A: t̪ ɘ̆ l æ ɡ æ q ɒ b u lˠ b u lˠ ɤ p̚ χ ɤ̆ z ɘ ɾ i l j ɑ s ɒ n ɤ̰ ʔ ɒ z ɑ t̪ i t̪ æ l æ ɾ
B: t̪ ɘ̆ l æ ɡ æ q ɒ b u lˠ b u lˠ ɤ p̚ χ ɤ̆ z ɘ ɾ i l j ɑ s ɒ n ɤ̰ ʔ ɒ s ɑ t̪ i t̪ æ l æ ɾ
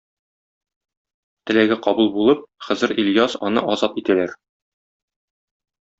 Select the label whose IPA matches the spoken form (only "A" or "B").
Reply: A